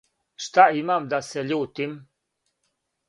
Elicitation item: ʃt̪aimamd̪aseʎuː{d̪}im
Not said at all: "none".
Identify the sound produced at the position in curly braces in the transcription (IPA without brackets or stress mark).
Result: t̪